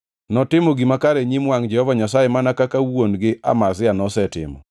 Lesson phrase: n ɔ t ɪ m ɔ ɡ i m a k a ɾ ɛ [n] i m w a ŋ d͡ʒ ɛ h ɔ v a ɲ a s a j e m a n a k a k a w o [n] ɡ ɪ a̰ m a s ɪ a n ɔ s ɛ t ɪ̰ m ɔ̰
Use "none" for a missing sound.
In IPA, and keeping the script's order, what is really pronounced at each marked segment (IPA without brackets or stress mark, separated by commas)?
ɲ, n